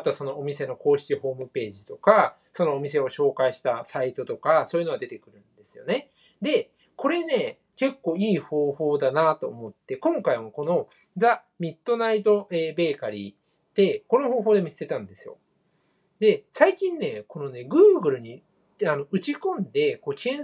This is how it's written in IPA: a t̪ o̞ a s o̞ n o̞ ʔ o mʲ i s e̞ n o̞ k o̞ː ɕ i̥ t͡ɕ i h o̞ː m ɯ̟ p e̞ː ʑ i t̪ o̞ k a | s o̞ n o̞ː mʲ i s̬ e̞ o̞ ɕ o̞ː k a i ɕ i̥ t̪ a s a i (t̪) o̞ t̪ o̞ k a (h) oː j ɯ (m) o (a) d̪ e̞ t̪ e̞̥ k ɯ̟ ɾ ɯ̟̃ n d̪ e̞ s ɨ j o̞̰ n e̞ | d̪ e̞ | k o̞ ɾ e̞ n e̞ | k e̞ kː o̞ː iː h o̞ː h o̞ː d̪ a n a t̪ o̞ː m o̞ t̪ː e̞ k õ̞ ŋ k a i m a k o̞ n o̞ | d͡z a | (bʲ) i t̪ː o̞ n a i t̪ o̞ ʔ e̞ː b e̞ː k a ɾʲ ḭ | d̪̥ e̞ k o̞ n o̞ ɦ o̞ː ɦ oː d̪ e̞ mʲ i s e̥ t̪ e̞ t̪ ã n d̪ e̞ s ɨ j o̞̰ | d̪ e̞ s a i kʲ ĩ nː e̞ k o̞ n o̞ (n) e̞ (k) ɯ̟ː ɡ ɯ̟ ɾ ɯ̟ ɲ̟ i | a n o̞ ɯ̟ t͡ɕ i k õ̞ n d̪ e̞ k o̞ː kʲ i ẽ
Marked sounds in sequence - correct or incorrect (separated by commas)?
correct, incorrect, incorrect, correct, incorrect, correct, incorrect